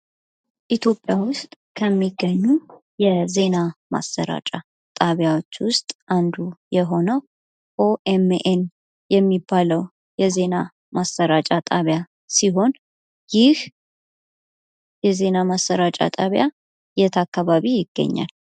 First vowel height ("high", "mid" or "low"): high